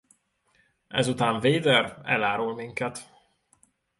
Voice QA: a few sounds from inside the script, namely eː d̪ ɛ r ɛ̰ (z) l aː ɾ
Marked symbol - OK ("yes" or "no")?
no